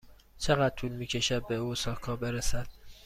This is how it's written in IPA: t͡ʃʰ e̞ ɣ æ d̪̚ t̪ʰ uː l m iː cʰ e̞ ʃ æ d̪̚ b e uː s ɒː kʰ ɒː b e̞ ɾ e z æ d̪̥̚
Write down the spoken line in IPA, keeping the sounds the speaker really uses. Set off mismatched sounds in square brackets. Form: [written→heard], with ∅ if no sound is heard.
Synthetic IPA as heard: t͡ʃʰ e̞ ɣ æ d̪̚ t̪ʰ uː l m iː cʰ e̞ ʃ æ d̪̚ b e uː s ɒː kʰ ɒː b e̞ ɾ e [z→s] æ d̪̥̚